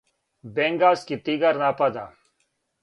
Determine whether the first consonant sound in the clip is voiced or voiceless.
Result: voiced